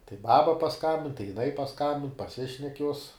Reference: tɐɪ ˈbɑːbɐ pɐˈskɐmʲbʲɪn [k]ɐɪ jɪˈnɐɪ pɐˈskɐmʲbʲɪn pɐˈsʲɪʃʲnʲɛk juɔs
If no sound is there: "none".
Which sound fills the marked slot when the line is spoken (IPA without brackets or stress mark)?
t